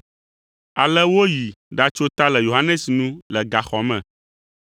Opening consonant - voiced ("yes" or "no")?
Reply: yes